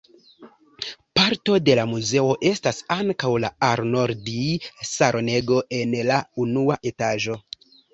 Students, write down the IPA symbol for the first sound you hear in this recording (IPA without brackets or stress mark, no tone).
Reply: p